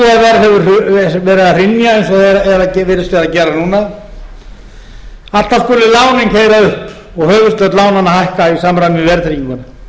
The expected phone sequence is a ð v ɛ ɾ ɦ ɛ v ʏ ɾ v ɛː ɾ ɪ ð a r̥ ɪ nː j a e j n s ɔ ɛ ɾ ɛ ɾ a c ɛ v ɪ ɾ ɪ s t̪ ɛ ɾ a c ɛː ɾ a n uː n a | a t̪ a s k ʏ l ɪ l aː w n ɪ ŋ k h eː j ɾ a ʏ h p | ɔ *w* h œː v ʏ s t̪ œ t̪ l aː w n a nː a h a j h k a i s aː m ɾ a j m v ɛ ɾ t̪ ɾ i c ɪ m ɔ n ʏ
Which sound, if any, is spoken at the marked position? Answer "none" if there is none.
ɣ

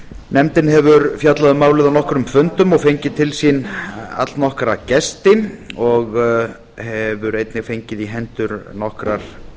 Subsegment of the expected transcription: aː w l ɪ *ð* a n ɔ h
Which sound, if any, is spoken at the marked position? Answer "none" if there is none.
ð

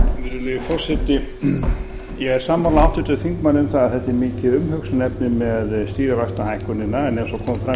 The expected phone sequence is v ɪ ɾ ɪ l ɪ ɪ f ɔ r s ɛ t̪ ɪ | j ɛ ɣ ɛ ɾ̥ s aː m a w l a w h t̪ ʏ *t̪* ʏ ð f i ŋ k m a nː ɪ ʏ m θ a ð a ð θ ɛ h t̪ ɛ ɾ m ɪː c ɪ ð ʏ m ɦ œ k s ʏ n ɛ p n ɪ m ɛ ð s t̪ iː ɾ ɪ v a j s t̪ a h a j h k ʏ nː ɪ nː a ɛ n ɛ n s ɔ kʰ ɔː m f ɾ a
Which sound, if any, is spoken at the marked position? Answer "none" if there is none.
t̪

